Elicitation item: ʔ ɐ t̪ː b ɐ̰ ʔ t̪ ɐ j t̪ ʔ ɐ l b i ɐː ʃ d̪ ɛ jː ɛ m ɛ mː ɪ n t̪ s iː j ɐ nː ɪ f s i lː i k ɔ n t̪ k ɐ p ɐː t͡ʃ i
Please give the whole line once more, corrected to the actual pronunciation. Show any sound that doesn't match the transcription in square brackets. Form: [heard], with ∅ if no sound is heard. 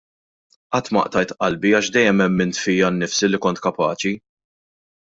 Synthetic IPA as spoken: ʔ ɐ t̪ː [m] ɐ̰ ʔ t̪ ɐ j t̪ ʔ ɐ l b i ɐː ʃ d̪ ɛ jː ɛ m ɛ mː ɪ n t̪ [f] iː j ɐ nː ɪ f s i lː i k ɔ n t̪ k ɐ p ɐː t͡ʃ i